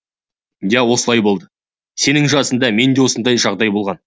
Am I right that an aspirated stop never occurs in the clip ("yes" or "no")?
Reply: yes